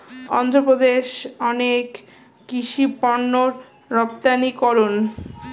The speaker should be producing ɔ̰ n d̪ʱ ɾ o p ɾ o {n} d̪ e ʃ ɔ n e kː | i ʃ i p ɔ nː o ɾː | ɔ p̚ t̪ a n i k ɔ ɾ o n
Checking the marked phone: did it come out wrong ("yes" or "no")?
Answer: yes